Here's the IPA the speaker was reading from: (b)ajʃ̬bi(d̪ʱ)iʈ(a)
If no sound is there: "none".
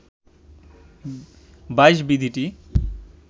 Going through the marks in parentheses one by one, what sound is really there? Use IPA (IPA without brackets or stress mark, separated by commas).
b, d̪ʱ, i